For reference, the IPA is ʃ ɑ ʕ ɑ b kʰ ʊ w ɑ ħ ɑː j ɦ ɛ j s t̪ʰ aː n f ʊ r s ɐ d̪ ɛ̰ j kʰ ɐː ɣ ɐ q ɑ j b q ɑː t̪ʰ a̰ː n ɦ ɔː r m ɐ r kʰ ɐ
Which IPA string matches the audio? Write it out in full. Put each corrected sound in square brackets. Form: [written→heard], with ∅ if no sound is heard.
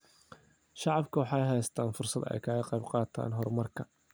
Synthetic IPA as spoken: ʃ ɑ ʕ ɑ b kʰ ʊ w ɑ ħ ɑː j ɦ ɛ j s t̪ʰ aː n f ʊ r s ɐ d̪ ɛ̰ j kʰ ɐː ɣ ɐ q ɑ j b q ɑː t̪ʰ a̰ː n ɦ [ɔː→ɔ] r m ɐ r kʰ ɐ